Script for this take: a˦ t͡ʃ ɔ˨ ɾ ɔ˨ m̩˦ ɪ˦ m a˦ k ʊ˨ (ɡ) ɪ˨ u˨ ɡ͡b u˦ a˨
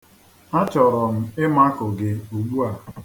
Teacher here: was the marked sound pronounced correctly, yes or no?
yes